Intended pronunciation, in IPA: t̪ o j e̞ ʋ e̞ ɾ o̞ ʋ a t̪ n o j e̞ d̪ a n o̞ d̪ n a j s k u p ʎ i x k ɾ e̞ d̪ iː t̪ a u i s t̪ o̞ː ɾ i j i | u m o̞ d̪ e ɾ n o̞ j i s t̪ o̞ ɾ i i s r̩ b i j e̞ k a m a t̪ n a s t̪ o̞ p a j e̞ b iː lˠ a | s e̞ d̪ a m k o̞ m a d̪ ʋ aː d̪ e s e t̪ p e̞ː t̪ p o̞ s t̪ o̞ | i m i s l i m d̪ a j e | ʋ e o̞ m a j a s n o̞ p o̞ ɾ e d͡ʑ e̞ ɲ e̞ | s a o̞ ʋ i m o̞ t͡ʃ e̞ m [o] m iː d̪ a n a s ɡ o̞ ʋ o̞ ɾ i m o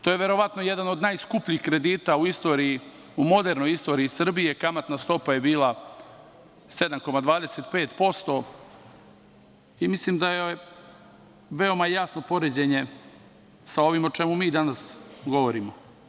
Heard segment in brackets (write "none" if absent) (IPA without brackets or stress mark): u